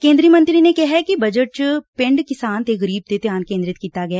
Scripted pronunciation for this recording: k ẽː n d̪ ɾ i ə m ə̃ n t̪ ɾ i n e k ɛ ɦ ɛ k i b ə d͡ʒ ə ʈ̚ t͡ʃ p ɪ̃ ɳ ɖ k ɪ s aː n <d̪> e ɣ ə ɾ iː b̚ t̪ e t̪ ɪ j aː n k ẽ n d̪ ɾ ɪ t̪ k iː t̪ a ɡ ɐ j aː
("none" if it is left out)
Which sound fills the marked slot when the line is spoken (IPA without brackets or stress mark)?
t̪